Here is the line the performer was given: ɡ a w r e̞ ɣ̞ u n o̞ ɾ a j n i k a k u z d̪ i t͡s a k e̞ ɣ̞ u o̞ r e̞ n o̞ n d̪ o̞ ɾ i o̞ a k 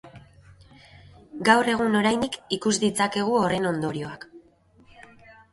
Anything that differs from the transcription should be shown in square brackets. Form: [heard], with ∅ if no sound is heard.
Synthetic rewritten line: ɡ a w r e̞ ɣ̞ u n o̞ ɾ a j n i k [i] k u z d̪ i t͡s a k e̞ ɣ̞ u o̞ r e̞ n o̞ n d̪ o̞ ɾ i o̞ a k